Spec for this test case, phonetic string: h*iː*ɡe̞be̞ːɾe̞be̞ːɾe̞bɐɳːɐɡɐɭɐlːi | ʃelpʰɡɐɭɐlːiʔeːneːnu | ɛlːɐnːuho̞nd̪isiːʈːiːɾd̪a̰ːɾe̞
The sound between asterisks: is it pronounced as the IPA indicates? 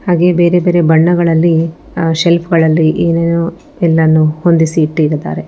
no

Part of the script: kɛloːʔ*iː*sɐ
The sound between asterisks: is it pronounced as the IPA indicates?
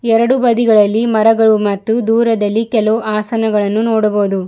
no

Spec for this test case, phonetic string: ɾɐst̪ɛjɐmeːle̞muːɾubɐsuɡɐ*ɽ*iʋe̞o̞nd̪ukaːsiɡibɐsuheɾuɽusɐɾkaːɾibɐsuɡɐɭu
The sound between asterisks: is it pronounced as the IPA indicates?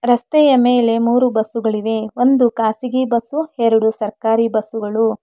no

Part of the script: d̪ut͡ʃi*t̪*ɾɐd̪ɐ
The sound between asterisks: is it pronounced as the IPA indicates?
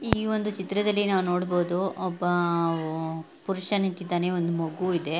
yes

